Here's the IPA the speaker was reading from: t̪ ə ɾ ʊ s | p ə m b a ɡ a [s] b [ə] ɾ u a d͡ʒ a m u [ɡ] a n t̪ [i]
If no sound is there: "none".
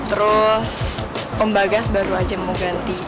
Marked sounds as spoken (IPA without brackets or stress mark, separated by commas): s, a, ɡ, i